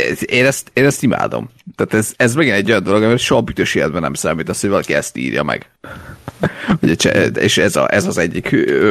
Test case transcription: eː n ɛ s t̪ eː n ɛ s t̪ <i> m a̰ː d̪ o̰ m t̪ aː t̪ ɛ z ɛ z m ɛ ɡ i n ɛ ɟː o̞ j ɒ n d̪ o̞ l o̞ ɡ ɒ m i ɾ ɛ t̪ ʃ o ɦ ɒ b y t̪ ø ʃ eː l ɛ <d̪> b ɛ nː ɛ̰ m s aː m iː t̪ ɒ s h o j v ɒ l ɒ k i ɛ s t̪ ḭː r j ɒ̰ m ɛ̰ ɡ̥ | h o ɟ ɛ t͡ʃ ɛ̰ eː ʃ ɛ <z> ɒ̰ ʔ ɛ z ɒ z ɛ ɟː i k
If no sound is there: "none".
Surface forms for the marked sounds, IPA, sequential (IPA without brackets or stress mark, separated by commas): i, d̪, z